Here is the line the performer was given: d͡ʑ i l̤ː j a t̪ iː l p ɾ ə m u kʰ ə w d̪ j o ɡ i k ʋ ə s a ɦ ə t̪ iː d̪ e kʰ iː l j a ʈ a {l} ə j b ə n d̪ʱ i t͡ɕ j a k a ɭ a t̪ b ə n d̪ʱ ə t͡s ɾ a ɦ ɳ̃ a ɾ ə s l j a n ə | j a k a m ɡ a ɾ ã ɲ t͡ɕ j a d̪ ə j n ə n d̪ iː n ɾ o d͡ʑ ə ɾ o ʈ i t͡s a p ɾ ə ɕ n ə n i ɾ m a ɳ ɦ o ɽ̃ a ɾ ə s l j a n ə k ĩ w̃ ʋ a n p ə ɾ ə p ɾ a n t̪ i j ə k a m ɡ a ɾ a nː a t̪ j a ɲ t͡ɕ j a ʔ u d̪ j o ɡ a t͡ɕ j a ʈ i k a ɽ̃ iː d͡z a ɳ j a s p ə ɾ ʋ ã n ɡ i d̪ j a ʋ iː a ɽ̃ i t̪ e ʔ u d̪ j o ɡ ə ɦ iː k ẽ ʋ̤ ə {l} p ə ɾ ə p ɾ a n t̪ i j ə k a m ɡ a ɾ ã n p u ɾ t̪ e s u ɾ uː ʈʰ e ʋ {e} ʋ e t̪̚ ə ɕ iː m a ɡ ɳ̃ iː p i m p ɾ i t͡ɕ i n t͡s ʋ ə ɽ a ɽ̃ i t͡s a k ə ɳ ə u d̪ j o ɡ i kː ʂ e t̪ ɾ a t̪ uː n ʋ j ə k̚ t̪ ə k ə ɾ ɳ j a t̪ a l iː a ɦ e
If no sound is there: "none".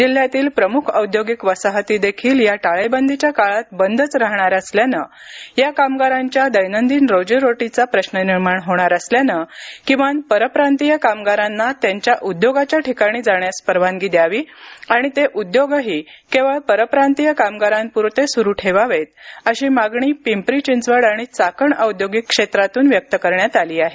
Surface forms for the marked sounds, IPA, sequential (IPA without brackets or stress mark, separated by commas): ɭ, ɭ, a